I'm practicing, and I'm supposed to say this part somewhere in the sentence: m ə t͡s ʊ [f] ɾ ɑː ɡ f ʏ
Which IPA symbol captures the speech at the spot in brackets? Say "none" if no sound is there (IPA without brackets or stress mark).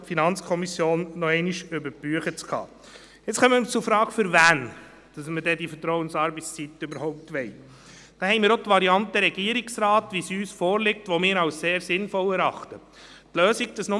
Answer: f